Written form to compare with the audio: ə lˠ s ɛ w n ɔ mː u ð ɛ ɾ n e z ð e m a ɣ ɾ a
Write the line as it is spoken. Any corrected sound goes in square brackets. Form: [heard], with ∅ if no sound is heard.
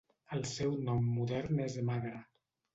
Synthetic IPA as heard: ə lˠ s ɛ w n ɔ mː u ð ɛ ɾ n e z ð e m a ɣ ɾ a